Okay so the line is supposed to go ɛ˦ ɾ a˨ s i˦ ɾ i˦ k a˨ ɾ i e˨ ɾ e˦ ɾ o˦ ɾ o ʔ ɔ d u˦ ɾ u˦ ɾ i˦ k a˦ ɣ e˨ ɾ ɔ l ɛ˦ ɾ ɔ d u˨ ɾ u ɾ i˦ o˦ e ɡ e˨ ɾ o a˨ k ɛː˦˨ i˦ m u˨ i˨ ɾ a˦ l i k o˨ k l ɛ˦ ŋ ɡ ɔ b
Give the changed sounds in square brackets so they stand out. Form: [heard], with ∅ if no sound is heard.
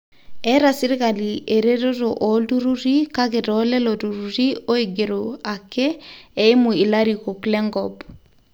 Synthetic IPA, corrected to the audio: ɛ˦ ɾ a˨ s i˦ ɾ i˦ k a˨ [l] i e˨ ɾ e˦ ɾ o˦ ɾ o ʔ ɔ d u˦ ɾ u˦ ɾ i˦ k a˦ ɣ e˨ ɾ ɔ l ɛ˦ [l] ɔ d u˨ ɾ u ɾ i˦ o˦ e ɡ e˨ ɾ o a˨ k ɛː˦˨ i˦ m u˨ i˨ [l] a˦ [ɾ] i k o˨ k l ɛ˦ ŋ ɡ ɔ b